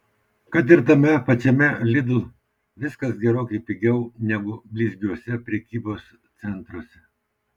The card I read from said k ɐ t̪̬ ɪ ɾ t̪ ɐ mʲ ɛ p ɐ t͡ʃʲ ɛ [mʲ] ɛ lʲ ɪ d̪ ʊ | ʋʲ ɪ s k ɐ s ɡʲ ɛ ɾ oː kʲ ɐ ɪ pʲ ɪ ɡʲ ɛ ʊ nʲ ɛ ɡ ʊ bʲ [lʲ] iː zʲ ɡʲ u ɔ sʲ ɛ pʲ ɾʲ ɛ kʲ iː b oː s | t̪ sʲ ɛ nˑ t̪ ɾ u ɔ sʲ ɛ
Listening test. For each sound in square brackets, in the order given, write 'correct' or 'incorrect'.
correct, correct

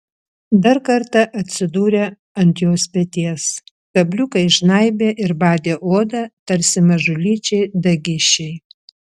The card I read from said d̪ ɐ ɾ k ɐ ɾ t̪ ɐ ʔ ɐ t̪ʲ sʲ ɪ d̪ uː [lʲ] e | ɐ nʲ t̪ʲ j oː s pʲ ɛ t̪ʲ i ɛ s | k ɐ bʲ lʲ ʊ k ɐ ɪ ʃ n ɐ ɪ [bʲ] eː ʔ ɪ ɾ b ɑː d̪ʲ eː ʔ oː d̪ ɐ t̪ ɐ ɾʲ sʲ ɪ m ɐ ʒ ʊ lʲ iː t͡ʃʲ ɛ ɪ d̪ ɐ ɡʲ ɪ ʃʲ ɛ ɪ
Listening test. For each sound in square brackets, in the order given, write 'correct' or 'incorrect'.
incorrect: ɾʲ, correct

